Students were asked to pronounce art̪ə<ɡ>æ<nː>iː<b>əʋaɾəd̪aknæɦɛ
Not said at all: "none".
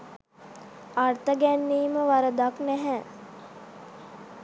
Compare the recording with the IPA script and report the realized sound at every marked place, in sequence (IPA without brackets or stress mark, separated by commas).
ɡ, nː, m